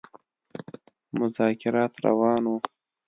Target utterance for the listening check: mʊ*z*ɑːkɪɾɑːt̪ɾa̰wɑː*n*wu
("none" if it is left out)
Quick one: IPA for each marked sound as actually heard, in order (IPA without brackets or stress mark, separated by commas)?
z, n